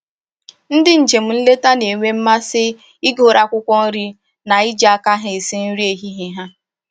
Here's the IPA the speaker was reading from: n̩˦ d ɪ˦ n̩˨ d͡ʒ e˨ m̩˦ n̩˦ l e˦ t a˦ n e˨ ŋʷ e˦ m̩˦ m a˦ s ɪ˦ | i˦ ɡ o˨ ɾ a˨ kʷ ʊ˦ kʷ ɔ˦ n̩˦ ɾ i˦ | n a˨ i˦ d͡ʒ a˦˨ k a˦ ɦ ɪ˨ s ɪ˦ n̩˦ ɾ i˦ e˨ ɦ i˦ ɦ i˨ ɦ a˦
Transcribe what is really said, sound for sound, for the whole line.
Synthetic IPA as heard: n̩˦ d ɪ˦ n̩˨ d͡ʒ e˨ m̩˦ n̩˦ l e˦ t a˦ n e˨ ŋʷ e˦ m̩˦ m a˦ s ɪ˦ | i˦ ɡ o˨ ɾ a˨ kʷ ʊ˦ kʷ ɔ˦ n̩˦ ɾ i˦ | n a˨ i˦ d͡ʒ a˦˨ k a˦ ɦ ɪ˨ s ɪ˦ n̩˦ ɾ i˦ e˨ ɦ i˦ ɦ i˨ ɦ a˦